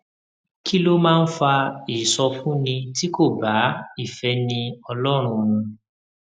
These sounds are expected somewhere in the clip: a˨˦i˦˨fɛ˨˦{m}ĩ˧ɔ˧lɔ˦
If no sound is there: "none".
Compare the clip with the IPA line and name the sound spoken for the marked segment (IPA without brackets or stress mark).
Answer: n